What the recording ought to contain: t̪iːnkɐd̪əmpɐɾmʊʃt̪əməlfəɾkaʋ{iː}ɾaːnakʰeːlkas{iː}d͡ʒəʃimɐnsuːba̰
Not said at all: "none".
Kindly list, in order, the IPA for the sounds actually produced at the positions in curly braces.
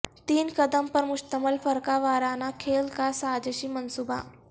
aː, aː

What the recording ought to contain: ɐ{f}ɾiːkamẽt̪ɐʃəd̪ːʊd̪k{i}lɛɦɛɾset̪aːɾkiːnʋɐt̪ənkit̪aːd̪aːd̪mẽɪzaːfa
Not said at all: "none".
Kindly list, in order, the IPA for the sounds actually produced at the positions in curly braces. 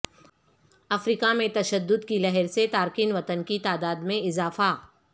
f, i

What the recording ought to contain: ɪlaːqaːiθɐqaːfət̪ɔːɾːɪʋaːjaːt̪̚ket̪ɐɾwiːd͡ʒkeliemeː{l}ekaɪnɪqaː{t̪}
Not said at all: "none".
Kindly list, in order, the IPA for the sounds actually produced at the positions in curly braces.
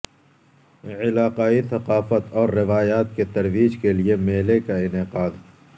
l, d̪

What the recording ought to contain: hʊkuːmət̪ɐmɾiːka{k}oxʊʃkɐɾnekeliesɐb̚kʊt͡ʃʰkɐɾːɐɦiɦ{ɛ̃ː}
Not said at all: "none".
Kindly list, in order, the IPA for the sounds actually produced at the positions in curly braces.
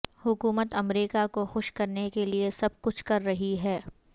k, ɛː

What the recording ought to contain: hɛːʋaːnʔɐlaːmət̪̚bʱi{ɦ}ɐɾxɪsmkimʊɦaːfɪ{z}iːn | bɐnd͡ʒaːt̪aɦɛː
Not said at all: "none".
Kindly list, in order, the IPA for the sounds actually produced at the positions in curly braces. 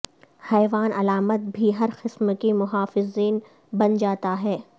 ɦ, z

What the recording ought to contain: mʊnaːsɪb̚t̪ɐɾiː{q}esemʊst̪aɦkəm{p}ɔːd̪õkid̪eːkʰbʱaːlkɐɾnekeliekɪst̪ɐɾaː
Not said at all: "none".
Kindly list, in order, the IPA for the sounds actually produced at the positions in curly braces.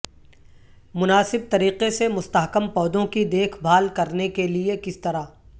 q, p

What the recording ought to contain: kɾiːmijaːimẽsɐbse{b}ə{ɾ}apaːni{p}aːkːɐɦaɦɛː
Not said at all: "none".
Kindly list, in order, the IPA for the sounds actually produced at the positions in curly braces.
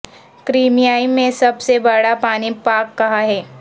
b, ɽ, p

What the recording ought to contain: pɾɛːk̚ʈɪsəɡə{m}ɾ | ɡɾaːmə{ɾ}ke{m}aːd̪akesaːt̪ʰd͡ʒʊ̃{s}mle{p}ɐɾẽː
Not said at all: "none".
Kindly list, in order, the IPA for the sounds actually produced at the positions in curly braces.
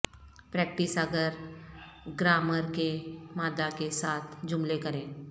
none, ɾ, m, none, k

